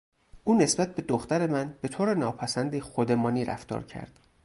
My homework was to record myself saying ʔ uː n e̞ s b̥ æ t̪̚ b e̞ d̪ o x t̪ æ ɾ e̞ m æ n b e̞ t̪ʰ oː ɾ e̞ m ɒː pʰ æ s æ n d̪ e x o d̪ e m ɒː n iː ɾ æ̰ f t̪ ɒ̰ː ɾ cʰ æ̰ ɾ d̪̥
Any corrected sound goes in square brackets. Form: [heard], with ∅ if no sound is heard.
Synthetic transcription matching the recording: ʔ uː n e̞ s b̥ æ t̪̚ b e̞ d̪ o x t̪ æ ɾ e̞ m æ n b e̞ t̪ʰ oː ɾ e̞ [n] ɒː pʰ æ s æ n d̪ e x o d̪ e m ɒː n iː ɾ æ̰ f t̪ ɒ̰ː ɾ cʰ æ̰ ɾ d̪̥